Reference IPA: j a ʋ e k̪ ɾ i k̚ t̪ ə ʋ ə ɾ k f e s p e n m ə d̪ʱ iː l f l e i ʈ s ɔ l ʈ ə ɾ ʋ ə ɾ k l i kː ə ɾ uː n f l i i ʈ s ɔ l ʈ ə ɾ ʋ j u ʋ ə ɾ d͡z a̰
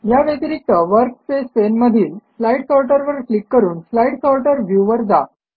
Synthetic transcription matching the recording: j a ʋ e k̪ ɾ i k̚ t̪ ə ʋ ə ɾ k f e s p e n m ə d̪ʱ iː l f l a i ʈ s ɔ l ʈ ə ɾ ʋ ə ɾ k l i kː ə ɾ uː n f l a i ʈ s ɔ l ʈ ə ɾ ʋ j u ʋ ə ɾ d͡z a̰